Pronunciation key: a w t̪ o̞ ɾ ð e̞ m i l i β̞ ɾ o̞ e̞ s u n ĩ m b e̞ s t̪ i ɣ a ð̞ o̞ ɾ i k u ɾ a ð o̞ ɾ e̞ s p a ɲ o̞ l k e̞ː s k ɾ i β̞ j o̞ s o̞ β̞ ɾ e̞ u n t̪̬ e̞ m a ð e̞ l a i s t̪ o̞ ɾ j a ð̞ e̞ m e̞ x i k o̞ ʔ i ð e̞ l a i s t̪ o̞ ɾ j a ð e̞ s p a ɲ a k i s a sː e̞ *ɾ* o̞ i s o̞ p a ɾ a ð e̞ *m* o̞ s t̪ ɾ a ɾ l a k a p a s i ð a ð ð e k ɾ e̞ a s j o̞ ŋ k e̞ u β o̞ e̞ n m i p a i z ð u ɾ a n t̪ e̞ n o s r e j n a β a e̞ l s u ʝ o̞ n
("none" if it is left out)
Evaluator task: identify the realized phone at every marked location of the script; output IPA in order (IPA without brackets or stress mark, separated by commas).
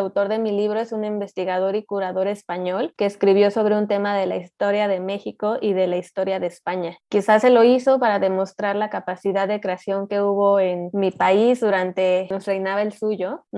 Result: l, m